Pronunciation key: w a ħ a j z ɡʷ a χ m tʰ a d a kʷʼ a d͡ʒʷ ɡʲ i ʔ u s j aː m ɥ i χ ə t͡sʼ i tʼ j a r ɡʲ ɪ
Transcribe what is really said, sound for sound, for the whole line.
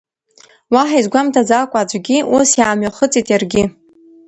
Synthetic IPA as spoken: w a ħ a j z ɡʷ a m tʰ a d͡z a kʷʼ a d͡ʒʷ ɡʲ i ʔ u s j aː m ɥ a χ ə t͡sʼ i tʼ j a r ɡʲ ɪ